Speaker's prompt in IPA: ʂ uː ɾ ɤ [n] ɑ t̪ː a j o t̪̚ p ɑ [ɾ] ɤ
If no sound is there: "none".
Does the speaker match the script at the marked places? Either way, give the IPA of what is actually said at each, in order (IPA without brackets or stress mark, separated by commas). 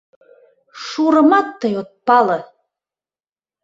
m, l